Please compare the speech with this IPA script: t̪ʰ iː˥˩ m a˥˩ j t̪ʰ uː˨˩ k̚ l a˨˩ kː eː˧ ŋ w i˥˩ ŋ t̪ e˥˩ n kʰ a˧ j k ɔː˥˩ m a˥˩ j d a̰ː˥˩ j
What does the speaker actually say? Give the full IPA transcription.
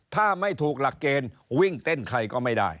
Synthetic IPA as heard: t̪ʰ aː˥˩ m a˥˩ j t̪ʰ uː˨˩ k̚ l a˨˩ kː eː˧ n w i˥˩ ŋ t̪ e˥˩ n kʰ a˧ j k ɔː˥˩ m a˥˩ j d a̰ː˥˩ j

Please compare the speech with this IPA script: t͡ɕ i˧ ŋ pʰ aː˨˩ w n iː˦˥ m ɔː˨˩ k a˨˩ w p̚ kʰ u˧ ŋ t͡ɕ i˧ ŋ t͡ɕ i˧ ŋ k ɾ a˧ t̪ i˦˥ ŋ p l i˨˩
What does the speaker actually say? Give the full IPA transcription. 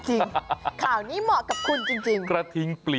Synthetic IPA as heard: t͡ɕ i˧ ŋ kʰ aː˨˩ w n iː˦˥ m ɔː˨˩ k a˨˩ p̚ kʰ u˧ n t͡ɕ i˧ ŋ t͡ɕ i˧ ŋ k ɾ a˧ t̪ʰ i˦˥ ŋ p l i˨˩

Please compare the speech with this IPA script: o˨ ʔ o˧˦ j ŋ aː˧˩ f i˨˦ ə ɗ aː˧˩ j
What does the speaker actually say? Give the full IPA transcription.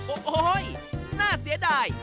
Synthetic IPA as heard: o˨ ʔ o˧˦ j n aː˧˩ s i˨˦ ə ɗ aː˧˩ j

